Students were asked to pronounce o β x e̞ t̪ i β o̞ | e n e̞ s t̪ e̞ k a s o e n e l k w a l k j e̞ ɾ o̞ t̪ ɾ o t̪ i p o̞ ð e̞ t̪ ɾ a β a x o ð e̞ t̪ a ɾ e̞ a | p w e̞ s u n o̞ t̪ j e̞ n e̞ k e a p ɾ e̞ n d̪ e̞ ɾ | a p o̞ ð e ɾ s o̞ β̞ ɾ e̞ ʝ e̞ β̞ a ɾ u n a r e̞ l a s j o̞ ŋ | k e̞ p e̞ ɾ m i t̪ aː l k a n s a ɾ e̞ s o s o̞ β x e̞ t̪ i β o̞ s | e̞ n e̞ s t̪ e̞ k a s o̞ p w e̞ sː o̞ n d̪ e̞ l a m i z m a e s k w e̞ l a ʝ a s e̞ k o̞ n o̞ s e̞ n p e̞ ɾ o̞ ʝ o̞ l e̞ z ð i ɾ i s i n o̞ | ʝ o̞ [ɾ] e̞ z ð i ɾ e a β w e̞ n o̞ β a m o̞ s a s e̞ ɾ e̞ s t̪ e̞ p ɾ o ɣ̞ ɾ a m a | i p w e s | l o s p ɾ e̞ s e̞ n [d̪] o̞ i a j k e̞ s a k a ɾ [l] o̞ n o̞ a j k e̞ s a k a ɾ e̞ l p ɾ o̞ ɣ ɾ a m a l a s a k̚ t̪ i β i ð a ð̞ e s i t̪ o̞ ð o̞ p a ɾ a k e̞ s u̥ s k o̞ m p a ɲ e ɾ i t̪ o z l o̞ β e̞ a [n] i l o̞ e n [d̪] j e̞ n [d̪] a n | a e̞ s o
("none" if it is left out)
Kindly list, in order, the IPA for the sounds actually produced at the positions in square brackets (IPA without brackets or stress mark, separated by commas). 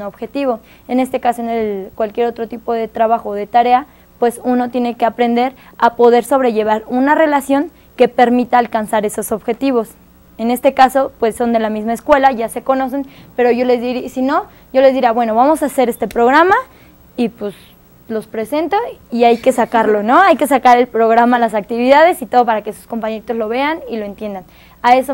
l, t̪, l, n, t̪, d̪